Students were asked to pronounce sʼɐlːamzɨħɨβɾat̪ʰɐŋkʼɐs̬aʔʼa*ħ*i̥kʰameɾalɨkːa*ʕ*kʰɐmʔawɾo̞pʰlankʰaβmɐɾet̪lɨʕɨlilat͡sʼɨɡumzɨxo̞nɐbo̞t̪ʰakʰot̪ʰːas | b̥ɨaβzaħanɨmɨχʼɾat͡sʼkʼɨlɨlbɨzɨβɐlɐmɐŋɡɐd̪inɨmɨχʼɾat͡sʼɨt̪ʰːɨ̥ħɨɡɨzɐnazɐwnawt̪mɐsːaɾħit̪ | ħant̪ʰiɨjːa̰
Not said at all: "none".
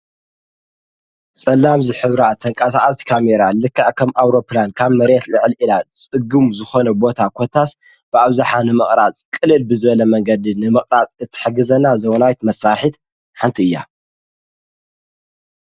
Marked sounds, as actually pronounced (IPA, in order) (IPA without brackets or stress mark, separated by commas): s, ʕ